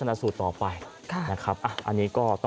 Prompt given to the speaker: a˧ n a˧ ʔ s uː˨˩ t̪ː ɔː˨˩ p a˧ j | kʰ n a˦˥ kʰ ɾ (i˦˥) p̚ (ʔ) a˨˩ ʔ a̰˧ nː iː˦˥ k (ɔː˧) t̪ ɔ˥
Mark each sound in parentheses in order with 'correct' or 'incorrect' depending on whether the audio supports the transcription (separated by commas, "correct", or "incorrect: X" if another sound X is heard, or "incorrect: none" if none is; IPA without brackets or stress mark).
incorrect: a˦˥, correct, incorrect: ɔː˥˩